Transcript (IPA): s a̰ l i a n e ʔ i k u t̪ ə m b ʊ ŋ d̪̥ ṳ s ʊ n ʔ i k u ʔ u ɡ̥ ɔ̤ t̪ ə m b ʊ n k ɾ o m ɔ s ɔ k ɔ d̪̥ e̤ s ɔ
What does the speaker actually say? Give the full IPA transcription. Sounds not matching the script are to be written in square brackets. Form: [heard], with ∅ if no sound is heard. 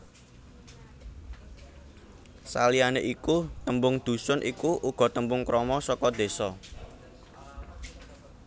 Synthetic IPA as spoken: s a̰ l i a n e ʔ i k u t̪ ə m b ʊ ŋ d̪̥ ṳ s ʊ n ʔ i k u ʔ u ɡ̥ ɔ̤ t̪ ə m b ʊ [ŋ] k ɾ [ɔ] m ɔ s ɔ k ɔ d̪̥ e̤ s ɔ

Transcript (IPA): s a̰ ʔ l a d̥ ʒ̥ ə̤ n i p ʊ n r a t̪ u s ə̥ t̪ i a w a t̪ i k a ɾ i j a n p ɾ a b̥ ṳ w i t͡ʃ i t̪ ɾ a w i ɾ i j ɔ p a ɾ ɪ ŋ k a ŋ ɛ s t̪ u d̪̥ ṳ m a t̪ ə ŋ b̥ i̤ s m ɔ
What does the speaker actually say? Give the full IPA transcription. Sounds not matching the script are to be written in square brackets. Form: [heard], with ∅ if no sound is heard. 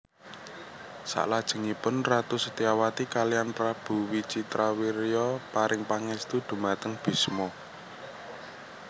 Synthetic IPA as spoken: s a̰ ʔ l a d̥ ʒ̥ ə̤ [ŋ] i p ʊ n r a t̪ u s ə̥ t̪ i a w a t̪ i k a [l] i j a n p ɾ a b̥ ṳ w i t͡ʃ i t̪ ɾ a w i ɾ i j ɔ p a ɾ ɪ ŋ [p] a ŋ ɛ s t̪ u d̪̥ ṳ m a t̪ ə ŋ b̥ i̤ s m ɔ

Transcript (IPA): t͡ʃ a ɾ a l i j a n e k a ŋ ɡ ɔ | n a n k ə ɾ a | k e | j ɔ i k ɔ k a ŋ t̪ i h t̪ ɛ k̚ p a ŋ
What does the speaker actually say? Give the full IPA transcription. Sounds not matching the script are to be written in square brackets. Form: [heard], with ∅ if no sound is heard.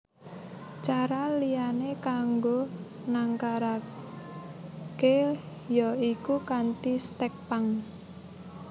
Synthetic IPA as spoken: t͡ʃ a ɾ a l i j a n e k a ŋ ɡ [o] | n a [ŋ] k [a] ɾ a | k e | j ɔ i k [u] k a [n] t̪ i [s] t̪ ɛ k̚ p a ŋ

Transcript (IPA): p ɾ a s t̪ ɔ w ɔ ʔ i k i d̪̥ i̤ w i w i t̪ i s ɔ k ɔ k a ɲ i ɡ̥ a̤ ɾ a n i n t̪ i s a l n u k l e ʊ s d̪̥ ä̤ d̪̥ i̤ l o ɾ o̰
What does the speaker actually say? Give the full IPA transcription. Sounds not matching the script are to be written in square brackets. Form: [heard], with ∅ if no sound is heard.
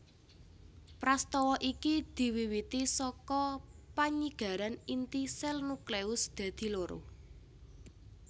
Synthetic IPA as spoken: p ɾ a s t̪ ɔ w ɔ ʔ i k i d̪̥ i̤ w i w i t̪ i s ɔ k ɔ [p] a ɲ i ɡ̥ a̤ ɾ a n i n t̪ i s [ɛ] l n u k l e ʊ s d̪̥ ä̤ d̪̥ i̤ l o ɾ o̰

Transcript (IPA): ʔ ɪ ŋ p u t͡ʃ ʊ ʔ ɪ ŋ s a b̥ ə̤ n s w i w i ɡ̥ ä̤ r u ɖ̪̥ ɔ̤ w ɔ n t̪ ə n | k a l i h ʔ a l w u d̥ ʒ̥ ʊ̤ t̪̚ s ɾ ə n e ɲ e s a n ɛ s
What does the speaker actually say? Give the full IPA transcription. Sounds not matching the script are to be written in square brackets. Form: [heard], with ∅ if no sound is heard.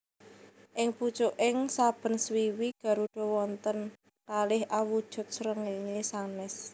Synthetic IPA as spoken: ʔ ɪ ŋ p u t͡ʃ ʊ ʔ ɪ ŋ s a b̥ ə̤ n s w i w i ɡ̥ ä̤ [ɾ] u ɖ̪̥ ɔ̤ w ɔ n t̪ ə n | k a l [ɪ] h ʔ a [∅] w u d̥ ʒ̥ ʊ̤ t̪̚ s ɾ ə [ŋ] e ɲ e s a n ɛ s

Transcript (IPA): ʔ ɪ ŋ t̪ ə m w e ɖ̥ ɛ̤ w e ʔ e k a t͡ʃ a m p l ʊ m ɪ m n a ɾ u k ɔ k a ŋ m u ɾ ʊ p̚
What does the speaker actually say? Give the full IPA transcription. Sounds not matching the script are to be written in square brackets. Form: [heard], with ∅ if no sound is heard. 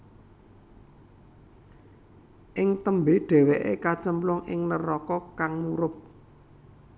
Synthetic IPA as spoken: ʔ ɪ ŋ t̪ ə m [b] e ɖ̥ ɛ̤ w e ʔ e k a t͡ʃ [ə] m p l ʊ [ŋ] ɪ [ŋ] n [ə] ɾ [ɔ] k ɔ k a ŋ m u ɾ ʊ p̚

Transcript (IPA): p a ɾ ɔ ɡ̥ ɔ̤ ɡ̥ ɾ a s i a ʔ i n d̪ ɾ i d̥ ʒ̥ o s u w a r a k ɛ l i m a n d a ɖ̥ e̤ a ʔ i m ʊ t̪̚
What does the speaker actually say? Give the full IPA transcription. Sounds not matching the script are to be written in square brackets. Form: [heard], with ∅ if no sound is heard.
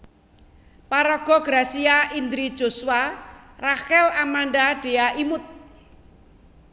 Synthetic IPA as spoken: p a ɾ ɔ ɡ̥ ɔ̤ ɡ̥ ɾ a s i a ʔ i n d̪ ɾ i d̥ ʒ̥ o s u w a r a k ɛ l [a] m a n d a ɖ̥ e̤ a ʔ i m ʊ t̪̚

